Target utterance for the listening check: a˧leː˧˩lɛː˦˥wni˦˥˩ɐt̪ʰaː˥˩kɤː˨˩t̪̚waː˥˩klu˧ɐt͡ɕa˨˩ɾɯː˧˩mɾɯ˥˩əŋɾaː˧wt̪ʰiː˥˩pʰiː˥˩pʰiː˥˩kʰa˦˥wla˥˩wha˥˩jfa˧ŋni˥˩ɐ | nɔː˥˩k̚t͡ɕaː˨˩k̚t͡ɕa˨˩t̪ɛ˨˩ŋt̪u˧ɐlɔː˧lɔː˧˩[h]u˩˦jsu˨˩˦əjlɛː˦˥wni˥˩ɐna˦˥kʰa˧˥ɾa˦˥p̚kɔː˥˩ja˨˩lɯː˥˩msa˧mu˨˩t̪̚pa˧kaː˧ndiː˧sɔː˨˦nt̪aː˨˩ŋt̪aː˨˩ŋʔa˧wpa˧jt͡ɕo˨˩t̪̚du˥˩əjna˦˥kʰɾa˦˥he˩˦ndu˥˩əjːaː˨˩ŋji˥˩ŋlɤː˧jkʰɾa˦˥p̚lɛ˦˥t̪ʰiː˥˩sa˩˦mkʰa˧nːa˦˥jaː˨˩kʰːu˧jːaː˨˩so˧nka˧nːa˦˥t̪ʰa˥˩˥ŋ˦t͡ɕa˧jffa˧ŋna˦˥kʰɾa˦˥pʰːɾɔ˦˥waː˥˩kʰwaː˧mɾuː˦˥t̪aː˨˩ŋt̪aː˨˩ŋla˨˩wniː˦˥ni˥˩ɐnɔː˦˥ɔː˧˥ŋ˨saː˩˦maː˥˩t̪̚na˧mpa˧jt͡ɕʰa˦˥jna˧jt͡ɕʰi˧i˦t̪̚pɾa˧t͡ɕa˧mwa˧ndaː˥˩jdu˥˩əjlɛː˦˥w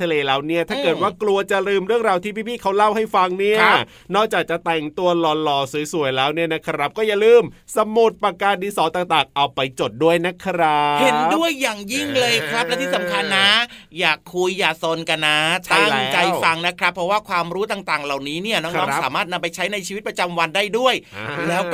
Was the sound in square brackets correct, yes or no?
no